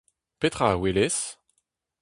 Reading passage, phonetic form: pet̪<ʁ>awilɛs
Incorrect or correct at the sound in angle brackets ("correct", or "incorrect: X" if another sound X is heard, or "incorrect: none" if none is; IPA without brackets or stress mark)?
incorrect: χ